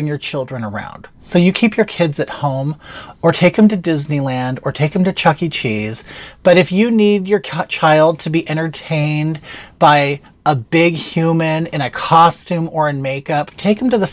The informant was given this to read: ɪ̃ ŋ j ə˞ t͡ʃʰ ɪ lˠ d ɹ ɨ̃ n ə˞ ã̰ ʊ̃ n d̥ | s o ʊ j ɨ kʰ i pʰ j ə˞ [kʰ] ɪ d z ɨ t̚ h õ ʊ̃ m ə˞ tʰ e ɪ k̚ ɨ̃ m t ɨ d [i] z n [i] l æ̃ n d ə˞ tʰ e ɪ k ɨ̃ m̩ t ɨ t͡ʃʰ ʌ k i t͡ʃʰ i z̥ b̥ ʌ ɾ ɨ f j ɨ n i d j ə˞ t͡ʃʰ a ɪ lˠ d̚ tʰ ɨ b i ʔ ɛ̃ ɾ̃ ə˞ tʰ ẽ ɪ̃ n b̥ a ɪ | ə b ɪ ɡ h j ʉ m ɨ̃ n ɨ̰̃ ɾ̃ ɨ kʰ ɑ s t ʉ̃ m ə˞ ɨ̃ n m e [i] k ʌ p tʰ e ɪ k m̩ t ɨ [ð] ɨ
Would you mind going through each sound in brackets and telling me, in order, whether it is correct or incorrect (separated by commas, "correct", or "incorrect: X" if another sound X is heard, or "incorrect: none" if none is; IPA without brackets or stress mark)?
correct, incorrect: ɪ, correct, incorrect: ɪ, correct